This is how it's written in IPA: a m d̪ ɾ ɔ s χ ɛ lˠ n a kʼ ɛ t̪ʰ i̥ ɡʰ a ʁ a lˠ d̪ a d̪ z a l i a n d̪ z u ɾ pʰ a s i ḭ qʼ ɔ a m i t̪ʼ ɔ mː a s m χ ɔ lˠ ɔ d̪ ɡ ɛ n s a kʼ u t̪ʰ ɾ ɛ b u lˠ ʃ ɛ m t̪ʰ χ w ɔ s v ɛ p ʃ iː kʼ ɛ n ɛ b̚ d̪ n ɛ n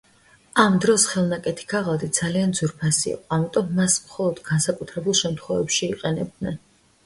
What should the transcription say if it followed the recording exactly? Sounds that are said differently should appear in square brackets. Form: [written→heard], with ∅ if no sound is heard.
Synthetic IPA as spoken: a m d̪ ɾ ɔ s χ ɛ lˠ n a kʼ ɛ t̪ʰ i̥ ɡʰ a ʁ a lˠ d̪ [a→i] d̪ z a l i a n d̪ z u ɾ pʰ a s i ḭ qʼ ɔ a m i t̪ʼ ɔ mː a s m χ ɔ lˠ ɔ d̪ ɡ [ɛ→a] n s a kʼ u t̪ʰ ɾ ɛ b u lˠ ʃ ɛ m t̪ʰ χ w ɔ [s→∅] v ɛ p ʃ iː [kʼ→qʼ] ɛ n ɛ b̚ d̪ n ɛ n